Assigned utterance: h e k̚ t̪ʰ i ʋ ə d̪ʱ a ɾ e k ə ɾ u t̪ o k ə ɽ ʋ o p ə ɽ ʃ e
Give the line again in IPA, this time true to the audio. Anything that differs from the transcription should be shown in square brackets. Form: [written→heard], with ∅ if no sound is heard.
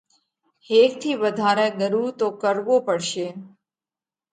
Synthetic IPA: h e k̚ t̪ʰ i ʋ ə d̪ʱ a ɾ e [k→ɡ] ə ɾ u t̪ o k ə [ɽ→ɾ] ʋ o p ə ɽ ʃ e